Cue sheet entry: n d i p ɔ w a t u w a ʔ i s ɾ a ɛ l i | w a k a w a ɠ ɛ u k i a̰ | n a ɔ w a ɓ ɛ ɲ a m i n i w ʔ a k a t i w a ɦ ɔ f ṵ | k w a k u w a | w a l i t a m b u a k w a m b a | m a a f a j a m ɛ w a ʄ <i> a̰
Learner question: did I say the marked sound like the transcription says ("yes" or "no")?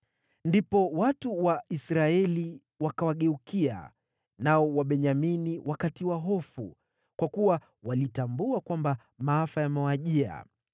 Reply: yes